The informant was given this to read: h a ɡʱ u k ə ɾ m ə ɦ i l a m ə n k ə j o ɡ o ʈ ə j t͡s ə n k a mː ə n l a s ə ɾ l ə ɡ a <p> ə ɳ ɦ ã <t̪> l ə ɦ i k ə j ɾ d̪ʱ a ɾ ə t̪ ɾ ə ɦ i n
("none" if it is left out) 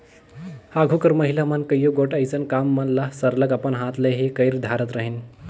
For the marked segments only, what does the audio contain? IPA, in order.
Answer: p, t̪

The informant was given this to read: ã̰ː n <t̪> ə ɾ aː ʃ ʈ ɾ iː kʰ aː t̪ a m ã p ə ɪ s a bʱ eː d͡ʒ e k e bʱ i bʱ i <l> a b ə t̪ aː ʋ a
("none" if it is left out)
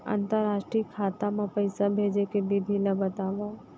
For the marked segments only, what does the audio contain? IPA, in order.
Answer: t̪, l

